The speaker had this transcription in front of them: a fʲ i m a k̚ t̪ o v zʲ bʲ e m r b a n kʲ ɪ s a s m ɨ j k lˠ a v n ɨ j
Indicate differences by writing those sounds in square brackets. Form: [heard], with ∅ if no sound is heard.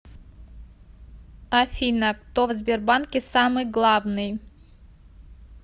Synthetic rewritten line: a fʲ i [n] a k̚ t̪ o v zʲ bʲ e [∅] r b a n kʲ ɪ s a [∅] m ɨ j [ɡ] lˠ a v n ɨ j